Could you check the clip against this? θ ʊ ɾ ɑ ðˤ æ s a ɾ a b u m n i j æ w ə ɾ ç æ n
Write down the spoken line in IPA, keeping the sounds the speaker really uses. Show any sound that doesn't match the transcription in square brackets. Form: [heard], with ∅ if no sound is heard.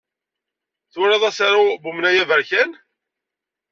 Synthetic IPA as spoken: θ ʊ ɾ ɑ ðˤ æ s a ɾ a b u m n [æ] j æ [v] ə ɾ ç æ n